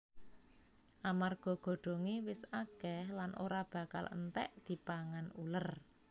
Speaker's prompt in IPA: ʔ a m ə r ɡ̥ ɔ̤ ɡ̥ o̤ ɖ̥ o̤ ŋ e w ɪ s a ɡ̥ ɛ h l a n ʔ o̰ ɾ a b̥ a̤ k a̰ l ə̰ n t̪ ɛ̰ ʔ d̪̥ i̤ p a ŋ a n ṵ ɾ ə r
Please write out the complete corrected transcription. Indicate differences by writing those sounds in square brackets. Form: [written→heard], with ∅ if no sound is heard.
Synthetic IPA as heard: ʔ a m [ə→a] r ɡ̥ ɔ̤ ɡ̥ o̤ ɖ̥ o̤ ŋ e w ɪ s a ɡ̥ ɛ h l a n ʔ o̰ ɾ a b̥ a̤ k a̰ l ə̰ n t̪ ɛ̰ ʔ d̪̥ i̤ p a ŋ a n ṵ [ɾ→l] ə r